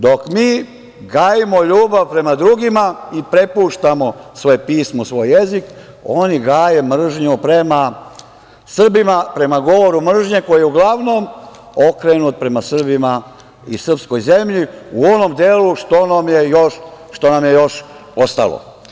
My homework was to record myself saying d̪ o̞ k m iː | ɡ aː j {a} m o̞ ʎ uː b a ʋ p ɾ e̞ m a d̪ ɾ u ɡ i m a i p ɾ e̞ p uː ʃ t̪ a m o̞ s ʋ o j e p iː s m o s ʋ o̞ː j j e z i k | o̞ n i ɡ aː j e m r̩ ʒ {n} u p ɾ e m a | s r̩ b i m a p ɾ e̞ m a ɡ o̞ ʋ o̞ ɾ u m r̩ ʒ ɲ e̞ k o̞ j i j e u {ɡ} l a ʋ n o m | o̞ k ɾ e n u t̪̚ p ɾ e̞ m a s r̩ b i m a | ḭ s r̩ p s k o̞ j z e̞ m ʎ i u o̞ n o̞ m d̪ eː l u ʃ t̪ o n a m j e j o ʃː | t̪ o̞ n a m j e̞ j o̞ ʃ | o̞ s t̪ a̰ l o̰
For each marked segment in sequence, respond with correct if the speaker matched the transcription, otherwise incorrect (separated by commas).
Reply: incorrect, incorrect, correct